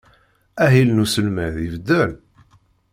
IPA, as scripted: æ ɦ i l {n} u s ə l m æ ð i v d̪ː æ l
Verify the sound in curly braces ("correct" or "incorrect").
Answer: correct